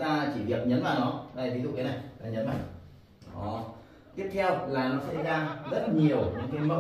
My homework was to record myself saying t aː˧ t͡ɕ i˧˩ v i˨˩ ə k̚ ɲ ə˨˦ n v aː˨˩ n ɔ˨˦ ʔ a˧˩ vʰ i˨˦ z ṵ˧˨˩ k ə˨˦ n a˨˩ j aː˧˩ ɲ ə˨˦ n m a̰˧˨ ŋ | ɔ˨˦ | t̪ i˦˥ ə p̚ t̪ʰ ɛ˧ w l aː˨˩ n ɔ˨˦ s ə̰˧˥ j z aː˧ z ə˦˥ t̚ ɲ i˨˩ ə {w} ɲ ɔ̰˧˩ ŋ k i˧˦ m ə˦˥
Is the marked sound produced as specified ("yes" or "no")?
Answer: yes